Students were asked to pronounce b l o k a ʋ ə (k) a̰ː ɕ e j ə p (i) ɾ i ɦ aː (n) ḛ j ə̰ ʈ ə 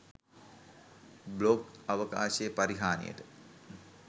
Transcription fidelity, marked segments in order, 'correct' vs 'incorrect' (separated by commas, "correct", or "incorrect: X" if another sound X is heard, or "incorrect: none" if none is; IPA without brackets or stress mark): correct, incorrect: a, correct